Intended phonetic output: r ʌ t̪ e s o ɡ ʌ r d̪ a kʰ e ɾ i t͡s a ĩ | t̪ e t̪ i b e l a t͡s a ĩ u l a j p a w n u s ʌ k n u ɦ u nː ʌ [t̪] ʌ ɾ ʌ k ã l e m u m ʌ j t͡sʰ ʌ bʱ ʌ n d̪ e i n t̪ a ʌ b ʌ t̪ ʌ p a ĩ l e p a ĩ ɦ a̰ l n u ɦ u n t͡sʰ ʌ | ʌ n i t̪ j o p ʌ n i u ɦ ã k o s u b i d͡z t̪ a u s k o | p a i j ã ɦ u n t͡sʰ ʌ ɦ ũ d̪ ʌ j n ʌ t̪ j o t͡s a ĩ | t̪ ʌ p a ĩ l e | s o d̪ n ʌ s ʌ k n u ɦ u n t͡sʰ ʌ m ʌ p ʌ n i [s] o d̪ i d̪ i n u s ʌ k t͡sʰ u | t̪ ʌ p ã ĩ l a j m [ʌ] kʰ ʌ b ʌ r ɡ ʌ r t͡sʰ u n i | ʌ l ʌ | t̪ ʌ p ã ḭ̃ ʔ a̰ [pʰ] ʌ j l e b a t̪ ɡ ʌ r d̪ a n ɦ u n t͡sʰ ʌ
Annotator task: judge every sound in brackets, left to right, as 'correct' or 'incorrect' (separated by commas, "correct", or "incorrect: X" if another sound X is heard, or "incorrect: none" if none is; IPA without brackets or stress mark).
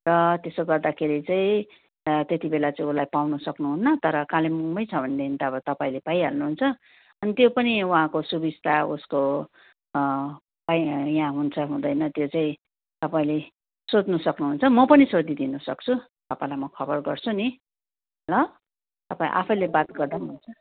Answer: correct, correct, correct, correct